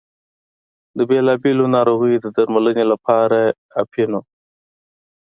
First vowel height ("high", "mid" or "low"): mid